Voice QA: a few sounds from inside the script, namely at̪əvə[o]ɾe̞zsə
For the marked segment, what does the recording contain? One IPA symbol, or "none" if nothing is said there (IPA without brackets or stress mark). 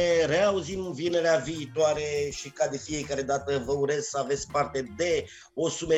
u